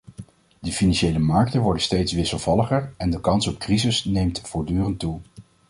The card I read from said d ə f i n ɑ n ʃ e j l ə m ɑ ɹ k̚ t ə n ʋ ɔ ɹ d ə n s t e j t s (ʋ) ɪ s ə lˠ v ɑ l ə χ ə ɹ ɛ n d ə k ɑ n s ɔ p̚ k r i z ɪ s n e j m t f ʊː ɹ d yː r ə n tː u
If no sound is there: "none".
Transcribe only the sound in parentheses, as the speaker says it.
ʋ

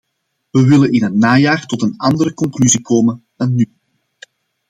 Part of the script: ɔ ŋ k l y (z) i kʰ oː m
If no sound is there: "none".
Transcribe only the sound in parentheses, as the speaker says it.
z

